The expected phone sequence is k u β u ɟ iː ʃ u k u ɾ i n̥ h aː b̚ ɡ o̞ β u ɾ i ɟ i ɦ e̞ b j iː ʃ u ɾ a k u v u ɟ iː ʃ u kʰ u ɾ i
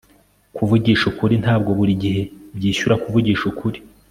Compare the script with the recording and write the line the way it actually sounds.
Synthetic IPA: k u v u ɟ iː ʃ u k u ɾ i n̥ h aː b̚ ɡ o̞ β u ɾ i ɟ i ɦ e̞ b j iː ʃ u ɾ a k u v u ɟ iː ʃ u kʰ u ɾ i